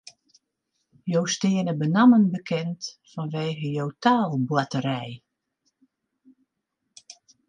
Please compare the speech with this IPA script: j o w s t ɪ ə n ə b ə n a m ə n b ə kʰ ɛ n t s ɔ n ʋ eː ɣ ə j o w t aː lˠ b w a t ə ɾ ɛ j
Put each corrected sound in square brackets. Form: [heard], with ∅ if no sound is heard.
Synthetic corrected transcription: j o w s t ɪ ə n ə b ə n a m ə n b ə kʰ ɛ n t [f] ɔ n ʋ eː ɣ ə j o w t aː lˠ b w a t ə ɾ ɛ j